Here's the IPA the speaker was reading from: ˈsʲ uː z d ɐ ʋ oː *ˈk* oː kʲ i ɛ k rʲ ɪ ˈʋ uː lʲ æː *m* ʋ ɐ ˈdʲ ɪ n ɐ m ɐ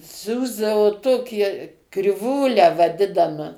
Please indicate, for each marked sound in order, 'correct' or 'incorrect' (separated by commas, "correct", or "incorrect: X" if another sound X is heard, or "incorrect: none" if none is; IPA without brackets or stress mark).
incorrect: t, incorrect: none